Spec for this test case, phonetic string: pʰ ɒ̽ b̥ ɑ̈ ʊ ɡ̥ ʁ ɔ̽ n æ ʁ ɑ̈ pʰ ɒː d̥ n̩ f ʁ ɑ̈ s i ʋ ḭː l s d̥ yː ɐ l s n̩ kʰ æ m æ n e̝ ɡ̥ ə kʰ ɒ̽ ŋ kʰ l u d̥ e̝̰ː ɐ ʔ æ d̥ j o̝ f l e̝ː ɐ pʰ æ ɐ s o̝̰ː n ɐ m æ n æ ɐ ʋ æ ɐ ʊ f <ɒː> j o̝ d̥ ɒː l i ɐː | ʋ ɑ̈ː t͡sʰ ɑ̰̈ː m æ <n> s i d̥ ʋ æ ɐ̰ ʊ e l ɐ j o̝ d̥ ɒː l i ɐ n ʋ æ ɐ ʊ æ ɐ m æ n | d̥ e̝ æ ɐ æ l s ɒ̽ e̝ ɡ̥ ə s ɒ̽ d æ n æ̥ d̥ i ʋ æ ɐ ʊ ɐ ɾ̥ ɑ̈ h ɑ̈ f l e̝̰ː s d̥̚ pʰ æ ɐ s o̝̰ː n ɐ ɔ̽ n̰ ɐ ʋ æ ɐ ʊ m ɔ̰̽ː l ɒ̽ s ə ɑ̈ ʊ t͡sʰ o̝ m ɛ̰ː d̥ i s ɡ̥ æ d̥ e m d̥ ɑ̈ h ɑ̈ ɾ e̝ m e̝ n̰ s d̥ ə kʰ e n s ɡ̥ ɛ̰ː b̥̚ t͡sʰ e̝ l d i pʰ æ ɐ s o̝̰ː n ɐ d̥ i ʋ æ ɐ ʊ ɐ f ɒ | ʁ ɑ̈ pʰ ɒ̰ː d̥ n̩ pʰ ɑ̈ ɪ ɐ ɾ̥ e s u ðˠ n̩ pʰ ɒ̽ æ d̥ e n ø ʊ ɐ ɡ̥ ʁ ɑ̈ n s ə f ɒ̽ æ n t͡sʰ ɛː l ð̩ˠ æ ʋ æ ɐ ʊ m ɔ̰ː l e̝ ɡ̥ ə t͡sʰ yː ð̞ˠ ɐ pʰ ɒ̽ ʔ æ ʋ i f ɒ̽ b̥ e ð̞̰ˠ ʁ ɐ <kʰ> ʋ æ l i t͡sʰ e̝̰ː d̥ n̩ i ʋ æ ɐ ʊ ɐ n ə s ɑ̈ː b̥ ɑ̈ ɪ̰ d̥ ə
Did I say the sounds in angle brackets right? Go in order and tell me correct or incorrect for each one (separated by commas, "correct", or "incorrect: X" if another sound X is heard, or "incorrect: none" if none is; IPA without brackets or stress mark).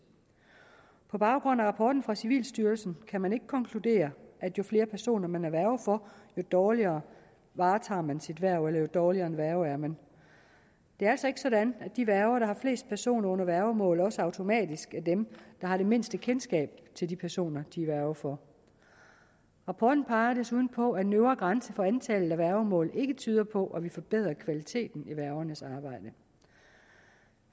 incorrect: ɒ, correct, correct